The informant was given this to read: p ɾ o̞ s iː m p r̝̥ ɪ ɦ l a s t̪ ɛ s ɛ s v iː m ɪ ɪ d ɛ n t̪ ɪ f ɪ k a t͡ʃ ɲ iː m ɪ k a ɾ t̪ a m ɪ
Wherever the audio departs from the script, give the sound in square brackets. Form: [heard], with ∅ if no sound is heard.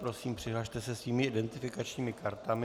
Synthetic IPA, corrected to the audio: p ɾ o̞ s iː m p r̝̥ ɪ ɦ l a [ʃ] t̪ ɛ s ɛ s v iː m ɪ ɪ d ɛ n t̪ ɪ f ɪ k a t͡ʃ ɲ iː m ɪ k a ɾ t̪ a m ɪ

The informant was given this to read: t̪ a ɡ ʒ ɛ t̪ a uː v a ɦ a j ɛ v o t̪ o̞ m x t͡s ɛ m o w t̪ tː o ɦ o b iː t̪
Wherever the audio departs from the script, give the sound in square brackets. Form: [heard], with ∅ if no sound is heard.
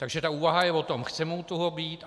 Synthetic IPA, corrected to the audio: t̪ a ɡ ʒ ɛ t̪ a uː v a ɦ a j ɛ v o t̪ o̞ m x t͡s ɛ m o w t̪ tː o ɦ o b iː t̪

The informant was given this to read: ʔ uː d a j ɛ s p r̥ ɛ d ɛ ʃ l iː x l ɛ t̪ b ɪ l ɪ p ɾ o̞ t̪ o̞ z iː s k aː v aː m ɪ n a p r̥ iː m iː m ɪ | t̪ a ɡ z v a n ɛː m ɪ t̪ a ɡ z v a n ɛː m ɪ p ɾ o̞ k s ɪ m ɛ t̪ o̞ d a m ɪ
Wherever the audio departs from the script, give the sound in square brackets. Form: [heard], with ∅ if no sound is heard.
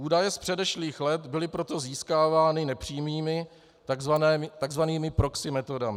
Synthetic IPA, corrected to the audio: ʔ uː d a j ɛ s p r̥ ɛ d ɛ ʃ l iː x l ɛ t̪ b ɪ l ɪ p ɾ o̞ t̪ o̞ z iː s k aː v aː [n] ɪ n [ɛ] p r̥ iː m iː m ɪ | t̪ a ɡ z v a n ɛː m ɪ t̪ a ɡ z v a n [iː] m ɪ p ɾ o̞ k s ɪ m ɛ t̪ o̞ d a m ɪ

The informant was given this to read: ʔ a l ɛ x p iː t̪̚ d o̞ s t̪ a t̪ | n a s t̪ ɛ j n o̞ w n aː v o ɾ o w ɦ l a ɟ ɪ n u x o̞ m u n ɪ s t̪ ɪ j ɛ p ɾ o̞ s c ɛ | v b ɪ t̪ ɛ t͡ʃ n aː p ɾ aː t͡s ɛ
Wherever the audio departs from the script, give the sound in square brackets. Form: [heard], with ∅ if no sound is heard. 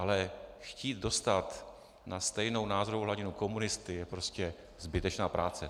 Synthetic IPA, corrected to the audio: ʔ a l ɛ x [c] iː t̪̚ d o̞ s t̪ a t̪ | n a s t̪ ɛ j n o̞ w n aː [z] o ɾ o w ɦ l a ɟ ɪ n u [k] o̞ m u n ɪ s t̪ ɪ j ɛ p ɾ o̞ s c ɛ | [z] b ɪ t̪ ɛ t͡ʃ n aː p ɾ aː t͡s ɛ

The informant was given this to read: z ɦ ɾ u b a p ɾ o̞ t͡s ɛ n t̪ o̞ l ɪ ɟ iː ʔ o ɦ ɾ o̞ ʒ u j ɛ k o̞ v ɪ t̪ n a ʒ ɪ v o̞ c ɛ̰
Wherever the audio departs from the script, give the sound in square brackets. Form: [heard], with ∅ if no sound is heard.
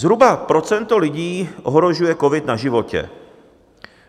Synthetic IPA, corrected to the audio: z ɦ ɾ u b a p ɾ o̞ t͡s ɛ n t̪ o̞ l ɪ ɟ iː ʔ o ɦ ɾ o̞ ʒ u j ɛ k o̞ v ɪ t̪ n a ʒ ɪ v o̞ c ɛ̰

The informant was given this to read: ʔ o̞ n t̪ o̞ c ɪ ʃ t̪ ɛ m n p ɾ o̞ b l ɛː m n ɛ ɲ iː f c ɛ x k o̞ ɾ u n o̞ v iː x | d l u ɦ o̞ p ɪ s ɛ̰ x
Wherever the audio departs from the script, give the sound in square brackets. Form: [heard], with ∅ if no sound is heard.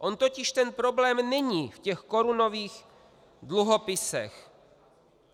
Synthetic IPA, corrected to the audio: ʔ o̞ n t̪ o̞ c ɪ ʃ t̪ ɛ [∅] n p ɾ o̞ b l ɛː m n ɛ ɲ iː f c ɛ x k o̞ ɾ u n o̞ v iː x | d l u ɦ o̞ p ɪ s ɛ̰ x

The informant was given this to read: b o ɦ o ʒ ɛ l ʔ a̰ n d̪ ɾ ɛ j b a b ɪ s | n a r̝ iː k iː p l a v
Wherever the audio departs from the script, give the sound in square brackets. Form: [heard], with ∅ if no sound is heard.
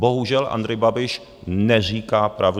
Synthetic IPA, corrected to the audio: b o ɦ [u] ʒ ɛ l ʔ a̰ n d̪ ɾ ɛ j b a b ɪ [ʃ] | n [ɛ] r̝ iː k [aː] p [ɾ] a v

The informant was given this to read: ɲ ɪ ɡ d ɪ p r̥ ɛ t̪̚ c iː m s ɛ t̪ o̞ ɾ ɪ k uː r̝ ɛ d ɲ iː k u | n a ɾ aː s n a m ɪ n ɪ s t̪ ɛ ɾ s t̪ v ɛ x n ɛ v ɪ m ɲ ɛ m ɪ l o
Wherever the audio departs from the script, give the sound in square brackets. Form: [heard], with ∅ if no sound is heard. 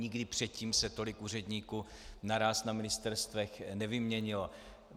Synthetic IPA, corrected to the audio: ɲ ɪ ɡ d ɪ p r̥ ɛ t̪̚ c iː m s ɛ t̪ o̞ [l] ɪ k uː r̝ ɛ d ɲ iː k u | n a ɾ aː s n a m ɪ n ɪ s t̪ ɛ ɾ s t̪ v ɛ x n ɛ v ɪ m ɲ ɛ [ɲ] ɪ l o

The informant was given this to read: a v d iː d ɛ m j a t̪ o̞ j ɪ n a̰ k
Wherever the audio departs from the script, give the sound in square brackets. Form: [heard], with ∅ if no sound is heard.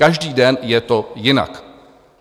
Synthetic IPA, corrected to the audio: a [ʒ] d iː d ɛ [n] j [ɛ] t̪ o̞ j ɪ n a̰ k

